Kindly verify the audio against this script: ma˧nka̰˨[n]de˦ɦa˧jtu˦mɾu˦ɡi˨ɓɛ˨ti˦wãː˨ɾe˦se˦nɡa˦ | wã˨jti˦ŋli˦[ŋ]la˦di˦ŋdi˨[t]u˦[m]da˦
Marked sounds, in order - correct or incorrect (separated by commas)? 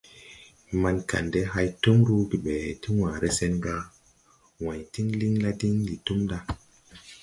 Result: correct, correct, correct, correct